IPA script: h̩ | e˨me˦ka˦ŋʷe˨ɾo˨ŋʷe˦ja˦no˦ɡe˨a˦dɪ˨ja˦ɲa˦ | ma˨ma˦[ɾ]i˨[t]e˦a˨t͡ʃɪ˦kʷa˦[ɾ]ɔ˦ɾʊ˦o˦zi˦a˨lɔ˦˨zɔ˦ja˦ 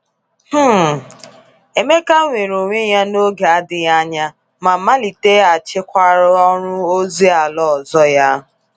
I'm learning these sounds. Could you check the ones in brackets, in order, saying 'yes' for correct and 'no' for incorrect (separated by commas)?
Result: no, yes, yes